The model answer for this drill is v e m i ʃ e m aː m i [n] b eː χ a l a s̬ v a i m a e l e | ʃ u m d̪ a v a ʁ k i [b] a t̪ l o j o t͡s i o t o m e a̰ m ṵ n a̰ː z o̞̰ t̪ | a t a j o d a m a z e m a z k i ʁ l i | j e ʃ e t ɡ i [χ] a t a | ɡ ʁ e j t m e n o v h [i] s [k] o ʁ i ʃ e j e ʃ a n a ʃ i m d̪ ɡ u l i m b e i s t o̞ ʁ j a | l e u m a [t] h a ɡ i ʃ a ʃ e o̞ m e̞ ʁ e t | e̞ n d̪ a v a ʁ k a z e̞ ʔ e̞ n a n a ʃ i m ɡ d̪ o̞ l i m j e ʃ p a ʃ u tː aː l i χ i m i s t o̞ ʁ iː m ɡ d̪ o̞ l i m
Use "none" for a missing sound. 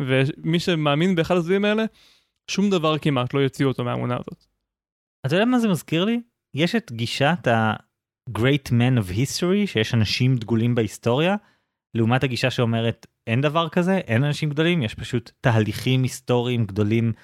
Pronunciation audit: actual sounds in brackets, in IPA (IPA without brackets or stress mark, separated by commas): n, m, ʃ, i, t, t